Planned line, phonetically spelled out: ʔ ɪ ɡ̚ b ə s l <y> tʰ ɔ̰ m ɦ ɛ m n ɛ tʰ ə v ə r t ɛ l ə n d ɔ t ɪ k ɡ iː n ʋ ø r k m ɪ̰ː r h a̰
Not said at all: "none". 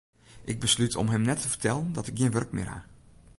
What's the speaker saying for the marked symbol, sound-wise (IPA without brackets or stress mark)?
y